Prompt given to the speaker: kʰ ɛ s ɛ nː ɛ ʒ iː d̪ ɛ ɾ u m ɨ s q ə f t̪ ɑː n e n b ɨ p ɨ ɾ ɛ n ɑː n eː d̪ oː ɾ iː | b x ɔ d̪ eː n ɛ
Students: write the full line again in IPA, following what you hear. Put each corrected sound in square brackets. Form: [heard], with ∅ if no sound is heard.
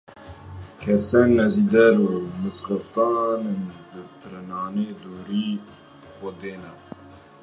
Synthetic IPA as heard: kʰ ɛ s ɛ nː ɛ [z] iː d̪ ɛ ɾ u m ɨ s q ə f t̪ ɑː n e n b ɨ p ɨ ɾ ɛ n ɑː n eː d̪ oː ɾ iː | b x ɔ d̪ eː n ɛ

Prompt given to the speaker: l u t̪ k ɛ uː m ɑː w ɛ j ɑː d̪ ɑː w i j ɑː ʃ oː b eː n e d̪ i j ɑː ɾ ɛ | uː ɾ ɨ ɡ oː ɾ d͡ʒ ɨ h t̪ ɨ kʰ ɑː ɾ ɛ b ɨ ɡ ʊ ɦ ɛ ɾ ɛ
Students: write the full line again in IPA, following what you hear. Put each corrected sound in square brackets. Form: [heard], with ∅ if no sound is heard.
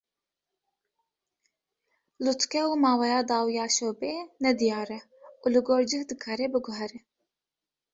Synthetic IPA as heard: l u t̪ k ɛ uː m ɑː w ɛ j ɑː d̪ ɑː w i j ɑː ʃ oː b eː n [ɛ] d̪ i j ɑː ɾ ɛ | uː [l] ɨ ɡ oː ɾ d͡ʒ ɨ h [d̪] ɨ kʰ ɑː ɾ ɛ b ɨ ɡ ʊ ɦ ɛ ɾ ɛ

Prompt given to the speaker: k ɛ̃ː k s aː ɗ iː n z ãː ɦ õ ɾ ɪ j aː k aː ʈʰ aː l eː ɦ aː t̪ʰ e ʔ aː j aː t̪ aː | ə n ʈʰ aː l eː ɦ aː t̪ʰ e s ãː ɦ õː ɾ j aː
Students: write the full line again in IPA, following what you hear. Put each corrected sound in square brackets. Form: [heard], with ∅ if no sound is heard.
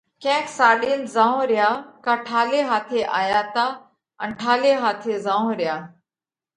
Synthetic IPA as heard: k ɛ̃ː k s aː ɗ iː n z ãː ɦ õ ɾ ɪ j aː k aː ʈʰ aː l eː ɦ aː t̪ʰ e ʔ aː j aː t̪ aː | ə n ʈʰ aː l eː ɦ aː t̪ʰ e [z] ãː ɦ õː ɾ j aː

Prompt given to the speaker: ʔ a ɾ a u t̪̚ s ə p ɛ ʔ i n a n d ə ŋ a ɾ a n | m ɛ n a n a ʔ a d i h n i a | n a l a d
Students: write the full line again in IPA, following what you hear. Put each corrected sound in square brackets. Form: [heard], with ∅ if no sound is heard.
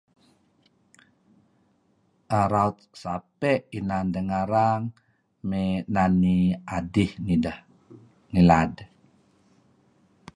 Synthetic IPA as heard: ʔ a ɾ a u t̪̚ s [a] p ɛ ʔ i n a n d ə ŋ a ɾ a [ŋ] | m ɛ n a n [i] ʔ a d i h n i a | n [i] l a d

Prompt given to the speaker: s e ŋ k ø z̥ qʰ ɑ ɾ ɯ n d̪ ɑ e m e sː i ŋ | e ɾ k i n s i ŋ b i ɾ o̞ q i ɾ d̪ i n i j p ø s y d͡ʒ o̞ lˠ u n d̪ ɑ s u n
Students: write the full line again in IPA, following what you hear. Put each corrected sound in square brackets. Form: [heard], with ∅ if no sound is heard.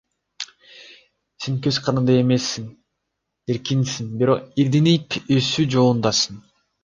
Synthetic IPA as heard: s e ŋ k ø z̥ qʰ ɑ ɾ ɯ n d̪ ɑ e m e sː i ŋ | e ɾ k i n s i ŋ b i ɾ o̞ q i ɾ d̪ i n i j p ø s y d͡ʒ o̞ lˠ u n d̪ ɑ s [ɯ] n

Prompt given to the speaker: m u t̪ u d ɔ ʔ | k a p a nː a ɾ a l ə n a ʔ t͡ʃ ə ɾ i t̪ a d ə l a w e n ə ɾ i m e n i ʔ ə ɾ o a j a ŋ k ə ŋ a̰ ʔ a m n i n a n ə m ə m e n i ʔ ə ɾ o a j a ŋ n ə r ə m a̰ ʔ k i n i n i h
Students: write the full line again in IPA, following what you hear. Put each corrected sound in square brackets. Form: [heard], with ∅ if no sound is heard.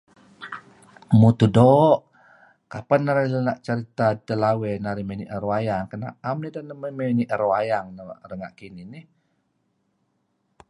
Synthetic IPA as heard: m u t̪ u d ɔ ʔ | k a p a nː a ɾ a l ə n a ʔ t͡ʃ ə ɾ i t̪ a d ə l a w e n [a] ɾ i m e n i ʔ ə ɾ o a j a ŋ k ə [n] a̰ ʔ a m n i [d] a n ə m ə m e n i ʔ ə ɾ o a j a ŋ n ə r ə [ŋ] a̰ ʔ k i n i n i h

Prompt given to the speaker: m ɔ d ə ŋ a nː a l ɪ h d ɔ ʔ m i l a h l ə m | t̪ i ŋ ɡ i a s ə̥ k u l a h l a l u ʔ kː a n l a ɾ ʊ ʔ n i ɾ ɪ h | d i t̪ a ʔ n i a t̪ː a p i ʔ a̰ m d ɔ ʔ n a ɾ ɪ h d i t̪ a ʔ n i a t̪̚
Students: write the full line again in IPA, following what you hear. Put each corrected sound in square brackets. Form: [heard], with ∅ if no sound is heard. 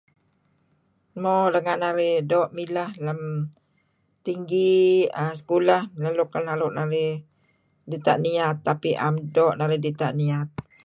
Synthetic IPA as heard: m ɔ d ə ŋ a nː a [ɾ] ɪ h d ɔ ʔ m i l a h l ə m | t̪ i ŋ ɡ i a s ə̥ k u l a h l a l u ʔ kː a n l a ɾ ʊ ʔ n [a] ɾ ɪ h | d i t̪ a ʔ n i a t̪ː a p i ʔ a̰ m d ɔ ʔ n a ɾ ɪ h d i t̪ a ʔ n i a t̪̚

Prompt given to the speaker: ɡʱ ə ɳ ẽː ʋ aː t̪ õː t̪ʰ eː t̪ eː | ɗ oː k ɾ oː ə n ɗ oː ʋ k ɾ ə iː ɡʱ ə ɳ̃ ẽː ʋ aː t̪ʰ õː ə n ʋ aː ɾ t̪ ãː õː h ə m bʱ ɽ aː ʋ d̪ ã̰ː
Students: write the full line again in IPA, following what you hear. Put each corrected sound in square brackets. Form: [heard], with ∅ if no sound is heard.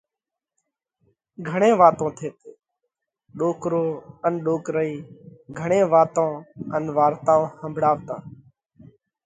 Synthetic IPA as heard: ɡʱ ə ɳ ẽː ʋ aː t̪ õː t̪ʰ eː t̪ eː | ɗ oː k ɾ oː ə n ɗ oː [∅] k ɾ ə iː ɡʱ ə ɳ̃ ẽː ʋ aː [t̪] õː ə n ʋ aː ɾ t̪ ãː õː h ə m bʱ ɽ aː ʋ [t̪] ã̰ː

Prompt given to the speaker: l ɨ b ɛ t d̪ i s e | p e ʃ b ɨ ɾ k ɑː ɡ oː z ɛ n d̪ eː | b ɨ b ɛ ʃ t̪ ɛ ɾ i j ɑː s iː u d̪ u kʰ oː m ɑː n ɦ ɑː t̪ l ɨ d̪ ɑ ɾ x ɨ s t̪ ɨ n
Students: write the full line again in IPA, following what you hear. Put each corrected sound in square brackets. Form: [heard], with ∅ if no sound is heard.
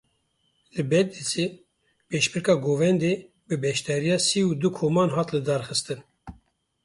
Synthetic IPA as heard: l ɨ b ɛ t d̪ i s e | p e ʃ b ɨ ɾ k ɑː ɡ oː [v] ɛ n d̪ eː | b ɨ b ɛ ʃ t̪ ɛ ɾ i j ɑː s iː u d̪ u kʰ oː m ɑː n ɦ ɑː t̪ l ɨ d̪ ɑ ɾ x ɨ s t̪ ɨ n

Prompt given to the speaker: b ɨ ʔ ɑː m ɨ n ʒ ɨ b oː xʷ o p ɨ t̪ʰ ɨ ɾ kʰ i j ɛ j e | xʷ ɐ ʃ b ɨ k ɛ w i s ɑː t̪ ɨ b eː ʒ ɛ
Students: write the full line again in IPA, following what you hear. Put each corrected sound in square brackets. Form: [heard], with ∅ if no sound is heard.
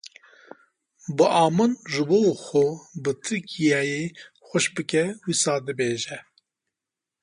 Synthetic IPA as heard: b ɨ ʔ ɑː m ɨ n ʒ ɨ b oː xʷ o [b] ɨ t̪ʰ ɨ ɾ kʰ i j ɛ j e | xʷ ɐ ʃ b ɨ k ɛ w i s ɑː [d̪] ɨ b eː ʒ ɛ

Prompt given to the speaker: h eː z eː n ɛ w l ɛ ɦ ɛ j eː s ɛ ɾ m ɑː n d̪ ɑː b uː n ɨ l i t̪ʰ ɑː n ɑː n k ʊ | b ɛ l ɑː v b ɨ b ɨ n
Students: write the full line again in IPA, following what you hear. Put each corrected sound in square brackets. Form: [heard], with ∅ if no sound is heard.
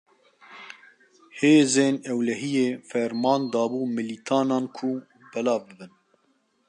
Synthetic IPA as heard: h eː z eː n ɛ w l ɛ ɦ [i] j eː [f] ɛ ɾ m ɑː n d̪ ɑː b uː [m] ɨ l i t̪ʰ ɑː n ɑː n [kʰ] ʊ | b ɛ l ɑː v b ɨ b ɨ n

